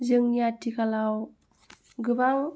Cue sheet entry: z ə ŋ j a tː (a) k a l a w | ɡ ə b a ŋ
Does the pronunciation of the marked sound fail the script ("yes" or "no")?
yes